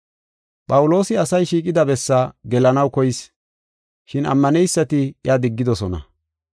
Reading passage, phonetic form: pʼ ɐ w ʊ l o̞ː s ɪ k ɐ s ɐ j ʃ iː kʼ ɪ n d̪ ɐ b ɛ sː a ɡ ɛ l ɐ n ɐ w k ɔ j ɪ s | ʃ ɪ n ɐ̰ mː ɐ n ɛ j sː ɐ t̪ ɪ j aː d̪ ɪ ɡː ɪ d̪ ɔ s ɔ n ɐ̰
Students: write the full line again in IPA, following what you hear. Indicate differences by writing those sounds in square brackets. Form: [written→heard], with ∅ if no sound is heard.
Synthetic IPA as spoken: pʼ ɐ w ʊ l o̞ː s ɪ [k→∅] ɐ s ɐ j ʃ iː kʼ ɪ [n→∅] d̪ ɐ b ɛ sː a ɡ ɛ l ɐ n ɐ w k ɔ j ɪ s | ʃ ɪ n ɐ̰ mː ɐ n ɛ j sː ɐ t̪ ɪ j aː d̪ ɪ ɡː ɪ d̪ ɔ s ɔ n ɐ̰